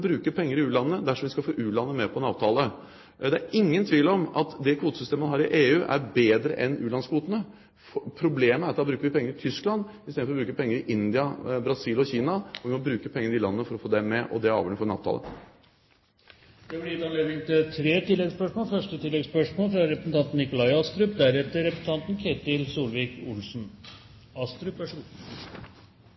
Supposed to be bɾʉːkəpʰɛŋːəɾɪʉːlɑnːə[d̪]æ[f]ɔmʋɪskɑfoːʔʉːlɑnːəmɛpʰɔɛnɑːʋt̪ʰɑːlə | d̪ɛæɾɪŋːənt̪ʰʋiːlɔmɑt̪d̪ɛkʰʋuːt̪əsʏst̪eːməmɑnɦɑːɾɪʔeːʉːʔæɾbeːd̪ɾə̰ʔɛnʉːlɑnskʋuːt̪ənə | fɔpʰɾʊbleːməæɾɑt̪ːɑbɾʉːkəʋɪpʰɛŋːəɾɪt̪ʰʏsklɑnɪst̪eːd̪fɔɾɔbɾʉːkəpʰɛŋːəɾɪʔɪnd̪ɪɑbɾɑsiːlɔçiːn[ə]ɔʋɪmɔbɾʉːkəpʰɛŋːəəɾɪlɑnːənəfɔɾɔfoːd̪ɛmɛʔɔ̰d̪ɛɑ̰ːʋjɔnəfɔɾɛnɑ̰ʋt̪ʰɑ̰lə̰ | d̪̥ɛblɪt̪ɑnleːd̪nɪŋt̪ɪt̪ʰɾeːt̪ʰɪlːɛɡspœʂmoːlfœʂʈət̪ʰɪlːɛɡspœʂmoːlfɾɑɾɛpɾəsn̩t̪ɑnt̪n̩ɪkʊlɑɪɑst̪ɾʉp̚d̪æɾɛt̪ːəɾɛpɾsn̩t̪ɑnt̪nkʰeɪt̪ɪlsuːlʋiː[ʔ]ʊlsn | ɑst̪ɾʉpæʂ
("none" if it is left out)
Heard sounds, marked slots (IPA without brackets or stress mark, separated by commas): d̪, ʂ, ɑ, k